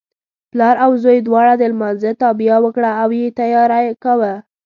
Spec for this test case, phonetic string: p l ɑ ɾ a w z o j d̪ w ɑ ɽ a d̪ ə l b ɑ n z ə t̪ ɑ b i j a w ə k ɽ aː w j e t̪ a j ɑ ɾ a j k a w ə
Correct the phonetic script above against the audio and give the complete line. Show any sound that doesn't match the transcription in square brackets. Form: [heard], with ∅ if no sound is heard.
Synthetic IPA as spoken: p l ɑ ɾ a w z o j d̪ w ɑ ɽ a d̪ ə l [m] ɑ n z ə t̪ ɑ b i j a w ə k ɽ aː w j e t̪ a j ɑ ɾ a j k a w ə